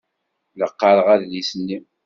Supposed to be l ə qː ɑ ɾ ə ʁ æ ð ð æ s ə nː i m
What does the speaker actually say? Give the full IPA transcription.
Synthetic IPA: l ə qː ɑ ɾ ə ʁ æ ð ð i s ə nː i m